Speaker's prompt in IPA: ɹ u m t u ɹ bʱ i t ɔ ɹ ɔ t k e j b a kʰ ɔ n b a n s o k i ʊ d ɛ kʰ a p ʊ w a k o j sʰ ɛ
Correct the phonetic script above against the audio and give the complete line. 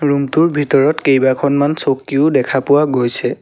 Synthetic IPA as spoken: ɹ u m t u ɹ bʱ i t ɔ ɹ ɔ t k e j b a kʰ ɔ n m a n s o k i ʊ d ɛ kʰ a p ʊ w a ɡ o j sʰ ɛ